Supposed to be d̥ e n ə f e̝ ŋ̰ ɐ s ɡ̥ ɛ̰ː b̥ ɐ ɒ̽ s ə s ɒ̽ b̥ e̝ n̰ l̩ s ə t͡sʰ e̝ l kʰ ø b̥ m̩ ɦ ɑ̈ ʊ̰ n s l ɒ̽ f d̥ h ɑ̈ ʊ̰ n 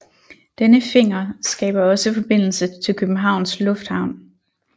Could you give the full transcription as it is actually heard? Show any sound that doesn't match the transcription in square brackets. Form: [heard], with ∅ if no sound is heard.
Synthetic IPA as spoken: d̥ e n ə f e̝ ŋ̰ ɐ s ɡ̥ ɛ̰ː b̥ ɐ ɒ̽ s ə [f] ɒ̽ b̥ e̝ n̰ l̩ s ə t͡sʰ e̝ l kʰ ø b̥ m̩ ɦ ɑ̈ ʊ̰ n s l [ɔ̽] f d̥ h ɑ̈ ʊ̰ n